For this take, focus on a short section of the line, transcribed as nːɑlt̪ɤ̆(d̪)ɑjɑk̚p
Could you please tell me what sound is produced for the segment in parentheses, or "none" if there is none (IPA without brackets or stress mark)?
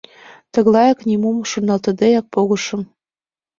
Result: d̪